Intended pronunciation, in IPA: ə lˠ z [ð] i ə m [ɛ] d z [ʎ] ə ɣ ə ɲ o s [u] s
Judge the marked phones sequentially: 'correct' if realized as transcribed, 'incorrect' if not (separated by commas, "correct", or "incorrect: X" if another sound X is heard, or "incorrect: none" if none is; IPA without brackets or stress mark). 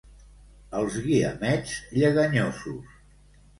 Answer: incorrect: ɣ, correct, correct, correct